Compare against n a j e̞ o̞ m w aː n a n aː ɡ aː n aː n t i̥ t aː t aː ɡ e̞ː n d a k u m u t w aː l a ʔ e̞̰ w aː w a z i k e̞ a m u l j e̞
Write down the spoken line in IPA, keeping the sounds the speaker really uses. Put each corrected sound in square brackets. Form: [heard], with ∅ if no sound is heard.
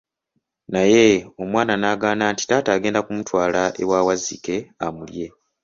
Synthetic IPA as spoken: n a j e̞ o̞ m w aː n a n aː ɡ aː n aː n t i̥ t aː t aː ɡ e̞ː n d a k u m u t w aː l a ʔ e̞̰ w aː w a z i k e̞ a m u l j e̞

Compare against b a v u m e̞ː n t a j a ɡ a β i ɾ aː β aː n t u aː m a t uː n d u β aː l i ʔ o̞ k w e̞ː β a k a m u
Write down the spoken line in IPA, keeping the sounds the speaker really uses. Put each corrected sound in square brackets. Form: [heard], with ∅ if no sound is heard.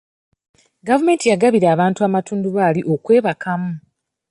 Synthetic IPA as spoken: [ɡ] a v u m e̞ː n t [i] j a ɡ a β i ɾ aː β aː n t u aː m a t uː n d u β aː l i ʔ o̞ k w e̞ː β a k a m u

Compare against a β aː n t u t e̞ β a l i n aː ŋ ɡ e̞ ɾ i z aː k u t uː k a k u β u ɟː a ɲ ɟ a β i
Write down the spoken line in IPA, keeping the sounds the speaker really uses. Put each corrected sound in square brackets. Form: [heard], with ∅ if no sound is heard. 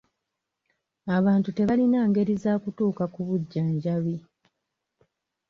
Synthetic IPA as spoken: a β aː n t u t e̞ β a l i n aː ŋ ɡ e̞ ɾ i z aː k u t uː k a k u β u ɟː a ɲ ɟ a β i

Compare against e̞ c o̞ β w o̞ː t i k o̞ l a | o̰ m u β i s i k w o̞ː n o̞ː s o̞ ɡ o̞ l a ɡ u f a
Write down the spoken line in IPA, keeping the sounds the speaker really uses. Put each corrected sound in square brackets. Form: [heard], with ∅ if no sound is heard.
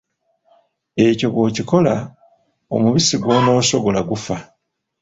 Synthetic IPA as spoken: e̞ c o̞ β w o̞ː [c] i k o̞ l a | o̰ m u β i s i [ɡ] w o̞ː n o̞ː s o̞ ɡ o̞ l a ɡ u f a

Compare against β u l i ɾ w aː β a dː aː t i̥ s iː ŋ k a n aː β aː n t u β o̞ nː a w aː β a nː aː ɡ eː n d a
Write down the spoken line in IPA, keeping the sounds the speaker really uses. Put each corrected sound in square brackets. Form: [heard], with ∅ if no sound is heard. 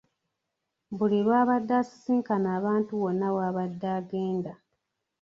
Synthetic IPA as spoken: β u l i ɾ w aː β a dː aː [s] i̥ s iː ŋ k a n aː β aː n t u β o̞ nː a w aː β a [dː] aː ɡ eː n d a

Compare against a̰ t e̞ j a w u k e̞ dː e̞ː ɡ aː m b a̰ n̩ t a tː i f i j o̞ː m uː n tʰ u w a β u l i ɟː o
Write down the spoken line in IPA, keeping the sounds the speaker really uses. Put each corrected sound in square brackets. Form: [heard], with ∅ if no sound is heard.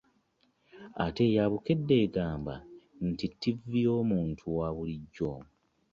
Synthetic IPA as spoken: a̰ t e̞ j a [β] u k e̞ dː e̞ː ɡ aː m b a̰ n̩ t [i] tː i [v] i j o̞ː m uː n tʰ u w a β u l i ɟː o

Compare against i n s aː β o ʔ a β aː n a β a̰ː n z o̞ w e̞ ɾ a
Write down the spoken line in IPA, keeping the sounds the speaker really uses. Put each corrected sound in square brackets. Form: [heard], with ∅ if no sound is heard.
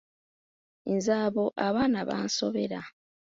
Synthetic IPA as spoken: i n [z] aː β o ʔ a β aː n a β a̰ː n [s] o̞ [β] e̞ ɾ a

